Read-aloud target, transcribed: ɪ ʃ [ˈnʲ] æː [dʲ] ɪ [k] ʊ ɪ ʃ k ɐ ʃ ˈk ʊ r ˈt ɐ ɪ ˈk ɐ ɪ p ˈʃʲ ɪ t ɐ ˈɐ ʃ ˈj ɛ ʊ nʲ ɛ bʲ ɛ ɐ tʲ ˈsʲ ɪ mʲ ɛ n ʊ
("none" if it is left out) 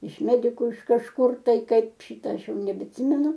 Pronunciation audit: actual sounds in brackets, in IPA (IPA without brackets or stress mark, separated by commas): mʲ, dʲ, k